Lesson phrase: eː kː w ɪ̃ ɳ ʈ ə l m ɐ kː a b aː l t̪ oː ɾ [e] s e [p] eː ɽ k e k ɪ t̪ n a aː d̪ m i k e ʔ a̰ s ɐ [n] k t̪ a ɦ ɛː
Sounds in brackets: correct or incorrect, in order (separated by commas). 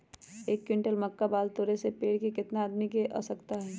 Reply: correct, correct, incorrect